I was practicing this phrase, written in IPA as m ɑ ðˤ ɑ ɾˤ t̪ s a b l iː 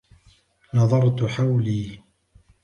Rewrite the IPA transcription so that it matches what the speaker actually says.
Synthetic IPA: n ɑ ðˤ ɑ ɾˤ t̪ ħ a w l iː